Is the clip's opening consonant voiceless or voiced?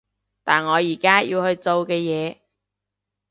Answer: voiceless